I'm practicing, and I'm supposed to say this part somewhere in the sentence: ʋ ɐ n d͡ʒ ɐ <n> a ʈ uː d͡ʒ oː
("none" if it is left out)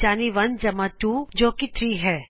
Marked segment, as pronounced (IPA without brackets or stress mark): m